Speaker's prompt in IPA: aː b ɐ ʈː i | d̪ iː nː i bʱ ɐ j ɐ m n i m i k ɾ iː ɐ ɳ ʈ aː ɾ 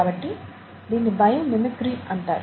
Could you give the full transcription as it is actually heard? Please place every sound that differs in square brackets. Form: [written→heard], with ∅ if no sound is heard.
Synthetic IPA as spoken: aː b ɐ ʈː i | d̪ iː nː i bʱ ɐ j ɐ m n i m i k ɾ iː ɐ ɳ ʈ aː ɾ

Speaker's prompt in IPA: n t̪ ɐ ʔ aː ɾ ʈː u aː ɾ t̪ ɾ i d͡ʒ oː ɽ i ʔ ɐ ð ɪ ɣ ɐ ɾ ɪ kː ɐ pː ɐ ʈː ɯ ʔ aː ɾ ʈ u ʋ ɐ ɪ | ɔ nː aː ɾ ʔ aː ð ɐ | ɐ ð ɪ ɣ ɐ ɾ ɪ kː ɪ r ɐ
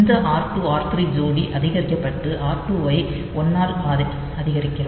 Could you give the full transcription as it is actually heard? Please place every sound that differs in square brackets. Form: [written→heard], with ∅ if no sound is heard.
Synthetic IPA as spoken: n [t̪→d̪] ɐ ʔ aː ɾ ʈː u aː ɾ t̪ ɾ i d͡ʒ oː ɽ i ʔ ɐ ð ɪ ɣ ɐ ɾ ɪ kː ɐ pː ɐ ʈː ɯ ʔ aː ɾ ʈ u ʋ ɐ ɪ | ɔ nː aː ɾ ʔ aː ð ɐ | ɐ ð ɪ ɣ ɐ ɾ ɪ kː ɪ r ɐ

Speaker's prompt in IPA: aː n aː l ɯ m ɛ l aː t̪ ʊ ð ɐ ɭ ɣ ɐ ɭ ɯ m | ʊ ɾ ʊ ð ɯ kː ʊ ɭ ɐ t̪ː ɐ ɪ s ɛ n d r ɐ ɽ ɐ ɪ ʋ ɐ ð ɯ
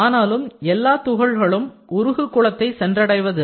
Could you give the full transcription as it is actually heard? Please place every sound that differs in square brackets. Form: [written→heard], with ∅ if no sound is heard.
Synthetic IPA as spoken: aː n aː l ɯ m ɛ [l→lː] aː t̪ ʊ [ð→ɣ] ɐ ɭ ɣ ɐ ɭ ɯ m | ʊ ɾ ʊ [ð→ɣ] ɯ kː ʊ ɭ ɐ t̪ː ɐ ɪ s ɛ n d r ɐ ɽ ɐ ɪ ʋ ɐ ð ɯ

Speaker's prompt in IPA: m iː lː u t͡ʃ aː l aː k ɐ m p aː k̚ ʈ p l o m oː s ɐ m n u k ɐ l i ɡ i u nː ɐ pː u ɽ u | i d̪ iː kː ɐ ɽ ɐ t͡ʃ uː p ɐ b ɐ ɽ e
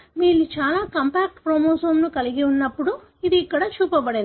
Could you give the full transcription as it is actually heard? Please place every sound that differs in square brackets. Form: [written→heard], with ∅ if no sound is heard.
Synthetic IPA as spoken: m iː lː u t͡ʃ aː l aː k ɐ m p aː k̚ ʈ p [l→ɾ] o m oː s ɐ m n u k ɐ l i ɡ i u nː ɐ pː u ɽ u | i d̪ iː kː ɐ ɽ ɐ t͡ʃ uː p ɐ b ɐ ɽ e

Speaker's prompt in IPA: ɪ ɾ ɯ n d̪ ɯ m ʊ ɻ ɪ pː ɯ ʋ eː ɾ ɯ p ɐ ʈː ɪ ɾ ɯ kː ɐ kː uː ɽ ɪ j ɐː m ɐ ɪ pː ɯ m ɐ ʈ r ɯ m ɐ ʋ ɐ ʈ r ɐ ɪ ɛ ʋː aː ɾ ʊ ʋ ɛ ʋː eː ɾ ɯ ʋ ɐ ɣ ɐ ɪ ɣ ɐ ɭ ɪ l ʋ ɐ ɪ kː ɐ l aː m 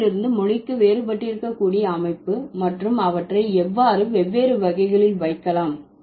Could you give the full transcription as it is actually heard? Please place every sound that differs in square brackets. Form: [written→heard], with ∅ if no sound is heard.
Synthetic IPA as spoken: ɪ ɾ ɯ n d̪ ɯ m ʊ ɻ ɪ [pː→kː] ɯ ʋ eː ɾ ɯ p ɐ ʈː ɪ ɾ ɯ kː ɐ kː uː ɽ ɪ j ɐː m ɐ ɪ pː ɯ m ɐ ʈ r ɯ m ɐ ʋ ɐ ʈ r ɐ ɪ ɛ ʋː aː ɾ [ʊ→ɯ] ʋ ɛ ʋː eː ɾ ɯ ʋ ɐ ɣ ɐ ɪ ɣ ɐ ɭ ɪ l ʋ ɐ ɪ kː ɐ l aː m

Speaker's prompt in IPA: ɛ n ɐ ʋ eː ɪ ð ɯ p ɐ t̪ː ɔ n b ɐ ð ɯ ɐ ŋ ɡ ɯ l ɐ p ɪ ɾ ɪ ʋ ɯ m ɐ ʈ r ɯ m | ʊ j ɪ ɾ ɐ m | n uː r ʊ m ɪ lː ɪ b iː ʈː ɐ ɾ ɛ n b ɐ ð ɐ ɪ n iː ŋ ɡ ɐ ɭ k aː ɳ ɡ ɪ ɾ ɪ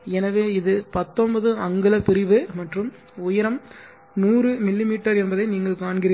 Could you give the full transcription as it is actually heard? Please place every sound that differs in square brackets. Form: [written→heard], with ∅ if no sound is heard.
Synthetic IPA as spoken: ɛ n ɐ ʋ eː ɪ ð ɯ p ɐ t̪ː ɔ n b ɐ ð ɯ ɐ ŋ ɡ ɯ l ɐ p ɪ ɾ ɪ ʋ ɯ m ɐ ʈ r ɯ m | ʊ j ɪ ɾ ɐ m | n uː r [ʊ→ɯ] m ɪ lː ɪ [b→m] iː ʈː ɐ ɾ ɛ n b ɐ ð ɐ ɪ n iː ŋ ɡ ɐ ɭ k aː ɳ ɡ ɪ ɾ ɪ

